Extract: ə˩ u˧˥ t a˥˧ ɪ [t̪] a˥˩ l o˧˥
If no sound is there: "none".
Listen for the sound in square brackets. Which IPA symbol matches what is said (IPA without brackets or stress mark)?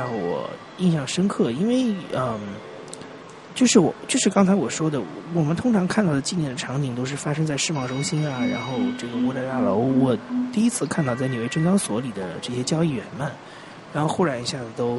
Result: t̪